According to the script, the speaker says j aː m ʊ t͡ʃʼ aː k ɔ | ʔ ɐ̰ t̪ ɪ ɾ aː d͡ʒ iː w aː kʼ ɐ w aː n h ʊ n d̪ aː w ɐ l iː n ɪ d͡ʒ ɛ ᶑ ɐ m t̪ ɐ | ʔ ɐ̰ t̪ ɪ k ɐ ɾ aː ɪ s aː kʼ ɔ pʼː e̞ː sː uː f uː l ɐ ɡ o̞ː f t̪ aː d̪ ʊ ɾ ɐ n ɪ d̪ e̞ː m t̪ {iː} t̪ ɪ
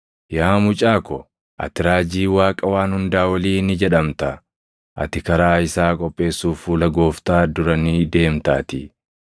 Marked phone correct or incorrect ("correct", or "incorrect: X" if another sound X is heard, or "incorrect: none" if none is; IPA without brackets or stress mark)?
incorrect: aː